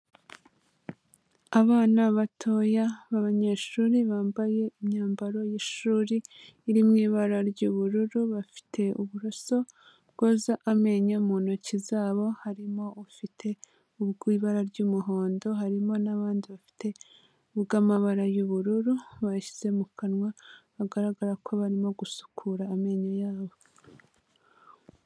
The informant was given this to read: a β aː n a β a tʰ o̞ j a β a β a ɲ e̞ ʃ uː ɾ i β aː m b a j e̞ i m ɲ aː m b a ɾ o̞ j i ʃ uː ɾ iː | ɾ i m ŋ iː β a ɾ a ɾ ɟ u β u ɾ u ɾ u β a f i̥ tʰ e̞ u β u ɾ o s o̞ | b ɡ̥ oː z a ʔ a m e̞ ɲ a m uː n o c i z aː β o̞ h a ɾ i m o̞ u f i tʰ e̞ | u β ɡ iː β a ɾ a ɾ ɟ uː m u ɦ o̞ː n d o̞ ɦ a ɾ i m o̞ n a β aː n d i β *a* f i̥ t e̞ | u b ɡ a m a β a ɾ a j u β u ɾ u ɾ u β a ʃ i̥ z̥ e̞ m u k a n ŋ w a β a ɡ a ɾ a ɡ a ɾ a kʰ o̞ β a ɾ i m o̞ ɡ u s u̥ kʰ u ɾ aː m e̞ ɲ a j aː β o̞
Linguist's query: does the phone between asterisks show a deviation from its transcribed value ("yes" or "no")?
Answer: no